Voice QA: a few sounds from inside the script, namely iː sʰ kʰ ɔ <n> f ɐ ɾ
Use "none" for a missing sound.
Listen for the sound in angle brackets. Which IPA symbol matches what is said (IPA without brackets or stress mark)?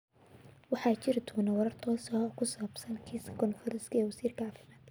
n